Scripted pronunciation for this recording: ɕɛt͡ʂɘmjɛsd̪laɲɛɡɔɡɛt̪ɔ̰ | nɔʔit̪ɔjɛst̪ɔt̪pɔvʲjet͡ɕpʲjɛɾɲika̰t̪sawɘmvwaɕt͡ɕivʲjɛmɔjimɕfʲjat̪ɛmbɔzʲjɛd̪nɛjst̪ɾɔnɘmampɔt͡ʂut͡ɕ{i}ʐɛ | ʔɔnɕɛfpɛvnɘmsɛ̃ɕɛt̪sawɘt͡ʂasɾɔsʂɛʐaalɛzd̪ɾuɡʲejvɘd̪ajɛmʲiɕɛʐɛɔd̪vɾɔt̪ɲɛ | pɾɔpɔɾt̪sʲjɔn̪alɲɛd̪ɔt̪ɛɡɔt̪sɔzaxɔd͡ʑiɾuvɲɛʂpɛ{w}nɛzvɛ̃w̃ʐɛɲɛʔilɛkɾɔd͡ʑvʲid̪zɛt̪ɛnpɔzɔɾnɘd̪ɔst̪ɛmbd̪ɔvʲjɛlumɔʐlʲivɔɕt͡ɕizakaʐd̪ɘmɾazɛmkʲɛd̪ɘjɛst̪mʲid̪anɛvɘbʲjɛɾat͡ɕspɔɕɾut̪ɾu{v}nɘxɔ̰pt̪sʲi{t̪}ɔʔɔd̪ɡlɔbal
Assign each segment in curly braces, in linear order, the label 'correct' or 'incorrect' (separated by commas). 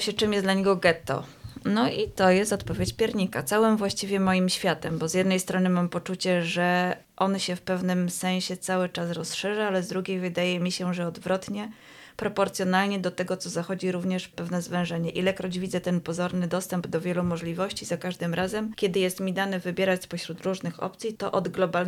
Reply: incorrect, incorrect, incorrect, correct